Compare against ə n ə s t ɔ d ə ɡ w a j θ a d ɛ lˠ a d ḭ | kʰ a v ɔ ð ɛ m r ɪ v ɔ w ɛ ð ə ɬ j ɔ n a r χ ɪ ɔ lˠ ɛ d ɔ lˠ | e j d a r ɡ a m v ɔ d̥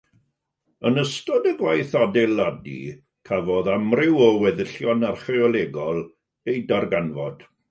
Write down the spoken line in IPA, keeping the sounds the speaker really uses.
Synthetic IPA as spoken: ə n ə s t ɔ d ə ɡ w a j θ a d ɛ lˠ a d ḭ | kʰ a v ɔ ð a m r ɪ w ɔ w ɛ ð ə ɬ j ɔ n a r χ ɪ ɔ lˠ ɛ ɡ ɔ lˠ | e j d a r ɡ a n v ɔ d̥